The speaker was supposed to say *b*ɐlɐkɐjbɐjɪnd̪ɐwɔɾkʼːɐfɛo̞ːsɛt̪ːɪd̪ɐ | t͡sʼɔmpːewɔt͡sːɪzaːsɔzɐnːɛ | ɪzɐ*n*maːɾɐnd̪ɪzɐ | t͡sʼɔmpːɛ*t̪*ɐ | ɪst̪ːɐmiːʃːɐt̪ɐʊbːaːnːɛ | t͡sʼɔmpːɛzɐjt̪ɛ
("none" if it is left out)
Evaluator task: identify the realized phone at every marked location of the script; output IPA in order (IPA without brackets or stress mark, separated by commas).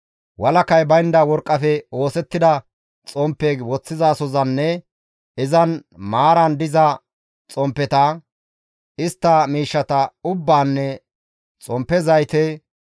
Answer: w, n, t̪